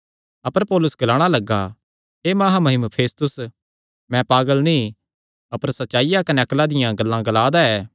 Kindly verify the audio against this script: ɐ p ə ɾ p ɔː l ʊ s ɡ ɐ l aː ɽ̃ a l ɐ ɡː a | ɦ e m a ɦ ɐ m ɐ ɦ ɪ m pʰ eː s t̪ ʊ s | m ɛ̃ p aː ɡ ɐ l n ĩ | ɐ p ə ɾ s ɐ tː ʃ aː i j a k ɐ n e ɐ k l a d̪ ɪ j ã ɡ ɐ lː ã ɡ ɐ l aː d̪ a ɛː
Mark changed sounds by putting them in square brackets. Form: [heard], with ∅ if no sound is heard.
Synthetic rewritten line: ɐ p ə ɾ p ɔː l ʊ s ɡ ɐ l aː ɽ̃ a l ɐ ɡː a | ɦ e m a ɦ [a] m ɐ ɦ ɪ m pʰ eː s t̪ ʊ s | m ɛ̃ p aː ɡ [ə] l n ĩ | ɐ p ə ɾ s ɐ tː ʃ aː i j a k ɐ n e ɐ k l a d̪ ɪ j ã ɡ ɐ lː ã ɡ ɐ l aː d̪ a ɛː

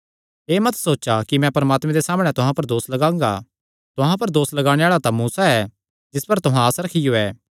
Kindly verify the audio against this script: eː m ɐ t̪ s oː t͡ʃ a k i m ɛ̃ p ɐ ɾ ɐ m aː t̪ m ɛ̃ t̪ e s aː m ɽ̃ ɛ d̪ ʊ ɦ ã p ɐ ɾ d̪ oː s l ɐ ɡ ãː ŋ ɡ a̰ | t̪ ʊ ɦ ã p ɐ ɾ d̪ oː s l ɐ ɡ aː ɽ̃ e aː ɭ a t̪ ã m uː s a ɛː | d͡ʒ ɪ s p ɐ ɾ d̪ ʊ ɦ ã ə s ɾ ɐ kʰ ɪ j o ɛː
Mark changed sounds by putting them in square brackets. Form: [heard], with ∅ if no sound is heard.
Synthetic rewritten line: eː m ɐ t̪ s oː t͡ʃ a k i m ɛ̃ p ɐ ɾ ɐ m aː t̪ m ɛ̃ [d̪] e s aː m ɽ̃ ɛ [t̪] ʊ ɦ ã p ɐ ɾ d̪ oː s l ɐ ɡ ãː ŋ ɡ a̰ | t̪ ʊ ɦ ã p ɐ ɾ d̪ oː s l ɐ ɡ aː ɽ̃ e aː ɭ a t̪ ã m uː s a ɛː | d͡ʒ ɪ s p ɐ ɾ [t̪] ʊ ɦ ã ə s ɾ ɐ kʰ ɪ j o ɛː

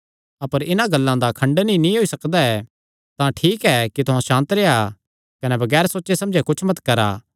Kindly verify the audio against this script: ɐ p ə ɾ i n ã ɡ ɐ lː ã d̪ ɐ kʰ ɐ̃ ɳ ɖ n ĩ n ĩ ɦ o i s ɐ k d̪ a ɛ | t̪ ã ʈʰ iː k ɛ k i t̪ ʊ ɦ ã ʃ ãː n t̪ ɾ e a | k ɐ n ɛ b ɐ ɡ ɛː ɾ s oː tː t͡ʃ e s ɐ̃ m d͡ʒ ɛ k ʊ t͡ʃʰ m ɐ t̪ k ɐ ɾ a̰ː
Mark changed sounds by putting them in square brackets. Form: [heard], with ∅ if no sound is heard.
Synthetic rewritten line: ɐ p ə ɾ [ɪ] n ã ɡ ɐ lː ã d̪ [a] kʰ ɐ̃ ɳ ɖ n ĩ n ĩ ɦ o i s ɐ k d̪ a ɛ | t̪ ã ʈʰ iː k ɛ k i t̪ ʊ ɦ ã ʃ ãː n t̪ ɾ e a | k ɐ n ɛ b ɐ ɡ ɛː ɾ s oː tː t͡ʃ e s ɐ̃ m d͡ʒ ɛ k ʊ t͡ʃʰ m ɐ t̪ k ɐ ɾ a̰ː

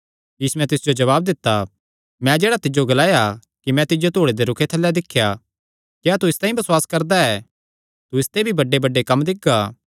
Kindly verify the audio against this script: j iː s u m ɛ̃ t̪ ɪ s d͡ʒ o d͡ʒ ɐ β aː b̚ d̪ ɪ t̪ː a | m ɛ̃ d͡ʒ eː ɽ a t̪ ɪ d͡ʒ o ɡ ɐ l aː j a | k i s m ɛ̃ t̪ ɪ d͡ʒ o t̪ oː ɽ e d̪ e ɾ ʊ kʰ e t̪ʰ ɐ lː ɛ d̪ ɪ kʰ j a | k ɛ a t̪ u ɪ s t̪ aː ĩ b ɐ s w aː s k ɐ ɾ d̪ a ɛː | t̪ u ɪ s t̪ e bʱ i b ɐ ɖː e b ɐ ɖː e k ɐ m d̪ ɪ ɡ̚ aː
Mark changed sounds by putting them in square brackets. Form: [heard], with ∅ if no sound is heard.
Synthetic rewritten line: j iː s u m ɛ̃ t̪ ɪ s d͡ʒ o d͡ʒ ɐ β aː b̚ d̪ ɪ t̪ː a | m ɛ̃ d͡ʒ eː ɽ a t̪ ɪ d͡ʒ o ɡ ɐ l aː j a | k i [∅] m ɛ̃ t̪ ɪ d͡ʒ o t̪ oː ɽ e d̪ e ɾ ʊ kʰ e t̪ʰ ɐ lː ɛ d̪ ɪ kʰ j a | k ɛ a t̪ u ɪ s t̪ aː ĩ b ɐ s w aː s k ɐ ɾ d̪ a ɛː | t̪ u ɪ s t̪ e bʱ i b ɐ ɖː e b ɐ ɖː e k ɐ m d̪ ɪ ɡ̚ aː

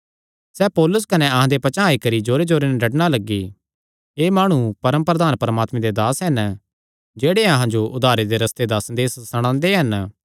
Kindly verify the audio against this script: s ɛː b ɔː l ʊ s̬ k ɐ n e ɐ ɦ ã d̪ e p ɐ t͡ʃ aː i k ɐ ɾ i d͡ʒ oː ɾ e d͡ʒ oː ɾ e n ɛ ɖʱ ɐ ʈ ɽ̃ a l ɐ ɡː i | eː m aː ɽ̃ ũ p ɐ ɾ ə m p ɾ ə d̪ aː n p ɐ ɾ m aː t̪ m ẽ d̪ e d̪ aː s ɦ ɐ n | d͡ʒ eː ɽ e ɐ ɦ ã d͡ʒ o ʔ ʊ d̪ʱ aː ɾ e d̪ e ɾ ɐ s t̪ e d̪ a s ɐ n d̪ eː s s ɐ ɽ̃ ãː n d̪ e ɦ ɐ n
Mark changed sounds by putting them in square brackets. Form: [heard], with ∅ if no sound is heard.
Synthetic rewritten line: s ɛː [p] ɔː l ʊ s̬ k ɐ n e ɐ ɦ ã d̪ e p ɐ t͡ʃ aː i k ɐ ɾ i d͡ʒ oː ɾ e d͡ʒ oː ɾ e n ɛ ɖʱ ɐ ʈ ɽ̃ a l ɐ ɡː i | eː m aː ɽ̃ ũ p ɐ ɾ ə m p ɾ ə d̪ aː n p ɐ ɾ m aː t̪ m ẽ d̪ e d̪ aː s ɦ ɐ n | d͡ʒ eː ɽ e ɐ ɦ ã d͡ʒ o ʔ ʊ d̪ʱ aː ɾ e d̪ e ɾ ɐ s t̪ e d̪ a s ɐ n d̪ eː s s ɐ ɽ̃ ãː n d̪ e ɦ ɐ n

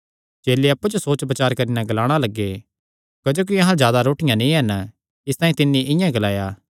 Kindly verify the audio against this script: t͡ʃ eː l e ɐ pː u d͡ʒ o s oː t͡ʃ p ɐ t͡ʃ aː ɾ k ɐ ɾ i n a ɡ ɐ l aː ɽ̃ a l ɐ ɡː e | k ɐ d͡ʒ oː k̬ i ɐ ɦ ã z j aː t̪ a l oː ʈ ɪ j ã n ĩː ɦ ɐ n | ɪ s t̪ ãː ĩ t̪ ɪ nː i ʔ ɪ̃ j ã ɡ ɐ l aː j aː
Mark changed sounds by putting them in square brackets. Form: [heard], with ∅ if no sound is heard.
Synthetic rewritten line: t͡ʃ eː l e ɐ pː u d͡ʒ o s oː t͡ʃ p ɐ t͡ʃ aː ɾ k ɐ ɾ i n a ɡ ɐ l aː ɽ̃ a l ɐ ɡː e | k ɐ d͡ʒ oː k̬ i ɐ ɦ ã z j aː [d̪] a [ɾ] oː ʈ ɪ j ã n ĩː ɦ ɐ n | ɪ s t̪ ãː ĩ t̪ ɪ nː i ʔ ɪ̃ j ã ɡ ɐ l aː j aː

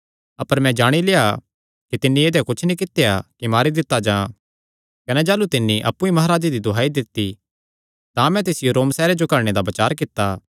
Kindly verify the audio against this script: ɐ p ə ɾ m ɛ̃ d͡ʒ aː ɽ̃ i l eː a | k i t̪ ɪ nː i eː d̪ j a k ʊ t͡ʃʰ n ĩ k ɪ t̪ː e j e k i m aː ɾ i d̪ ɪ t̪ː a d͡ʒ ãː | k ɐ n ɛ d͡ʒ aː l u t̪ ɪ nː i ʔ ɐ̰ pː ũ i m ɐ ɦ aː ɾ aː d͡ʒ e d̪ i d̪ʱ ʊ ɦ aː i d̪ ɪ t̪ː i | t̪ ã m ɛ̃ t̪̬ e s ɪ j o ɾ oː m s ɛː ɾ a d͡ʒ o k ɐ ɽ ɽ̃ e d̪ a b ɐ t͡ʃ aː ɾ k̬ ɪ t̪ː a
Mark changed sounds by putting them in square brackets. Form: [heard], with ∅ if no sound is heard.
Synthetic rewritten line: ɐ p ə ɾ m ɛ̃ d͡ʒ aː ɽ̃ i l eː a | k i t̪ ɪ nː i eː d̪ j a k ʊ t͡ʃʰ n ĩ k ɪ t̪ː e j [a] k i m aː ɾ i d̪ ɪ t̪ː a d͡ʒ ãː | k ɐ n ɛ d͡ʒ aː l u t̪ ɪ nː i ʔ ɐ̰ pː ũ i m ɐ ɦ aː ɾ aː d͡ʒ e d̪ i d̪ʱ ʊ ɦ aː i d̪ ɪ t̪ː i | t̪ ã m ɛ̃ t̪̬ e s ɪ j o ɾ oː m s ɛː ɾ [e] d͡ʒ o k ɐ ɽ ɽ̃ e d̪ a b ɐ t͡ʃ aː ɾ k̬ ɪ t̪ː a

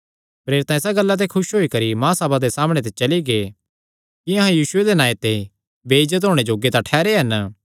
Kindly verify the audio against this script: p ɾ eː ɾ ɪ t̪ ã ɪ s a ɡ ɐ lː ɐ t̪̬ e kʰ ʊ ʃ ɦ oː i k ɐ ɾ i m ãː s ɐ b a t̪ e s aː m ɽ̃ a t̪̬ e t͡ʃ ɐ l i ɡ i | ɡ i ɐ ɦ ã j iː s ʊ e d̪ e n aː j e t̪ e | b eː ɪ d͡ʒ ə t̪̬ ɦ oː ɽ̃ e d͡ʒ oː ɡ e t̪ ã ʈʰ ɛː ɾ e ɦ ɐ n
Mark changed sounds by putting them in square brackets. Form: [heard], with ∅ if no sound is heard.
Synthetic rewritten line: p ɾ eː ɾ ɪ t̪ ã ɪ s a ɡ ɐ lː [a] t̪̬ e kʰ ʊ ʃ ɦ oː i k ɐ ɾ i m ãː s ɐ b a [d̪] e s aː m ɽ̃ [e] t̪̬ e t͡ʃ ɐ l i ɡ [e] | [k] i ɐ ɦ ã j iː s ʊ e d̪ e n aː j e t̪ e | b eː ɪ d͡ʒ ə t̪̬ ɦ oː ɽ̃ e d͡ʒ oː ɡ e t̪ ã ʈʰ ɛː ɾ e ɦ ɐ n

